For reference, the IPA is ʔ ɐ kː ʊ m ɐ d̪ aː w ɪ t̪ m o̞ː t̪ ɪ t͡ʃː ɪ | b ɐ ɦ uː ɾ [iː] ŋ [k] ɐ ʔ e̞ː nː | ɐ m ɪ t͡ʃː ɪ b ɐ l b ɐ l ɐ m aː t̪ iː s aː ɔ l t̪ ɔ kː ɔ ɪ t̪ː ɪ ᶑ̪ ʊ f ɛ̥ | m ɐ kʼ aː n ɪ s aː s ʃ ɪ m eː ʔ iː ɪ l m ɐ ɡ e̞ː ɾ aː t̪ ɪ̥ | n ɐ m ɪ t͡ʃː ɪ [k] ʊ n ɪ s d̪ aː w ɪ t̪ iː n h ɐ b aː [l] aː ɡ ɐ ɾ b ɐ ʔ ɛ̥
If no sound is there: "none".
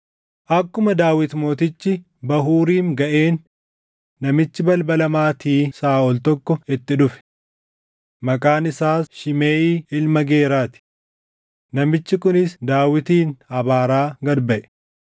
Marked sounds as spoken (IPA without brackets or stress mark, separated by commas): iː, ɡ, k, ɾ